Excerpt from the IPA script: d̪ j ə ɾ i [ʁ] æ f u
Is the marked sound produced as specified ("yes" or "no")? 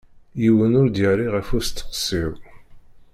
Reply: yes